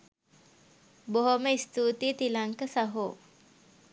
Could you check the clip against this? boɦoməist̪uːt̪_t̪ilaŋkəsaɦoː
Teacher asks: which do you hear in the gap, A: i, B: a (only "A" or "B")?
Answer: A